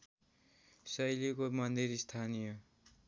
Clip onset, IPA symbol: s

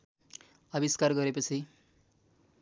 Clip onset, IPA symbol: ʌ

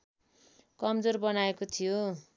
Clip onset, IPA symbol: k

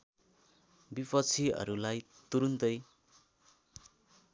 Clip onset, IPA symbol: b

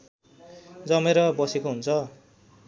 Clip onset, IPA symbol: d͡z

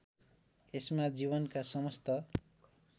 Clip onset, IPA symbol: e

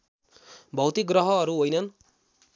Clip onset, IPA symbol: bʱ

